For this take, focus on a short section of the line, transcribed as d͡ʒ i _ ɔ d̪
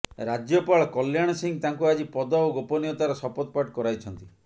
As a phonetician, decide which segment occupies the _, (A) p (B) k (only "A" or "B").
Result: A